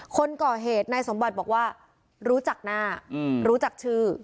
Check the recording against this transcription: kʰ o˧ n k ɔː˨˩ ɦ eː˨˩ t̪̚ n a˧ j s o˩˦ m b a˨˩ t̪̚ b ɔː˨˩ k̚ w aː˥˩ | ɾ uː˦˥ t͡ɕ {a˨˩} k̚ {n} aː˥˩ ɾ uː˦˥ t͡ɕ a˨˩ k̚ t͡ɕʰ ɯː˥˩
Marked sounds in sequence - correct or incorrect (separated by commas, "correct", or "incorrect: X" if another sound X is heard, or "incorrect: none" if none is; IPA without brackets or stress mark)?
correct, correct